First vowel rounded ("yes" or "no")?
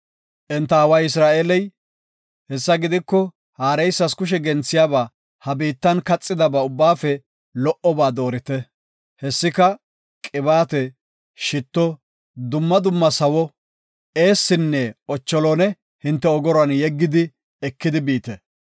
no